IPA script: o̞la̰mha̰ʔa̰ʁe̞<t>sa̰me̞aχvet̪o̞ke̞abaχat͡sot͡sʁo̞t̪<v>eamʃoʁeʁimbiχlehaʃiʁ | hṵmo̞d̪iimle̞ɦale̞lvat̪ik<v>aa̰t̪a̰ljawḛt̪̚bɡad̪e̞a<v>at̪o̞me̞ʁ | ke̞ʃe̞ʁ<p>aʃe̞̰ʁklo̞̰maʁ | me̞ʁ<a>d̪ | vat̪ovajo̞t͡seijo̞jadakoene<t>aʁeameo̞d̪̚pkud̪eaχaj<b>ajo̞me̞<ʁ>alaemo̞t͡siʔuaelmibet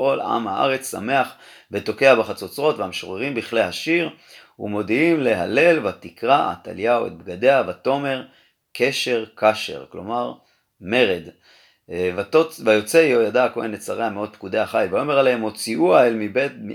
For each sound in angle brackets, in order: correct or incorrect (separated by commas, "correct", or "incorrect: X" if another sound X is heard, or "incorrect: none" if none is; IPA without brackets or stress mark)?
incorrect: t͡s, correct, incorrect: ʁ, correct, incorrect: k, incorrect: e, incorrect: t͡s, incorrect: v, correct